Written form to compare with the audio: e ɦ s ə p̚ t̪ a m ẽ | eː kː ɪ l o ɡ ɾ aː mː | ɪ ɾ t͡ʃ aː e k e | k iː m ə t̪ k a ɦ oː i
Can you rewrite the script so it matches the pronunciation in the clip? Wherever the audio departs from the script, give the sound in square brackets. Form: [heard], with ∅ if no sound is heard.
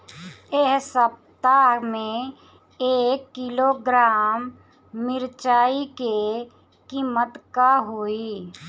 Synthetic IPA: e ɦ s ə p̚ t̪ a m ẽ | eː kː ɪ l o ɡ ɾ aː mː | ɪ ɾ t͡ʃ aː [i] k e | k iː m ə t̪ k a ɦ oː i